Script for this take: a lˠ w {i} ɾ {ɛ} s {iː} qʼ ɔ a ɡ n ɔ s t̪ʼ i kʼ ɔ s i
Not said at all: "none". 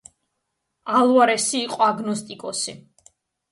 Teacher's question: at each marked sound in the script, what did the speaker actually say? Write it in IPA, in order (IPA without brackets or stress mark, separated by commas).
a, ɛ, iː